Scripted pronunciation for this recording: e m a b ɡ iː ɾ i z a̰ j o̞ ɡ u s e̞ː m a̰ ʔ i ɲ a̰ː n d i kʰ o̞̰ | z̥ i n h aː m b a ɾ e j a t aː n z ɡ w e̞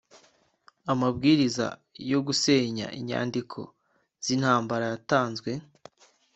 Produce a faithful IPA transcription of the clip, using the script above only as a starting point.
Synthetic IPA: a m a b ɡ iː ɾ i z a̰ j o̞ ɡ u s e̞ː ɲ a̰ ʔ i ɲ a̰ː n d i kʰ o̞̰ | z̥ i n h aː m b a ɾ a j a t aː n z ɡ w e̞